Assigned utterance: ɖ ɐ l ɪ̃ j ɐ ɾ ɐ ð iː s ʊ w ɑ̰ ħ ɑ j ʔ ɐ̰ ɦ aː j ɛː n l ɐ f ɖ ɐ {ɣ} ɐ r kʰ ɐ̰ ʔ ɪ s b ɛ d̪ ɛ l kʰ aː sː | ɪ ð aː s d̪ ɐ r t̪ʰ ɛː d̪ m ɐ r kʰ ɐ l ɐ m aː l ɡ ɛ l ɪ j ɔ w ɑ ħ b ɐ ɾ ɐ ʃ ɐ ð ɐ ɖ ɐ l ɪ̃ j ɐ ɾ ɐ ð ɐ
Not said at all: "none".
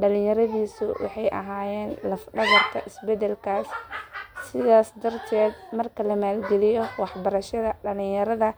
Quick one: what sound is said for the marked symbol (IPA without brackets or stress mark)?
ɣ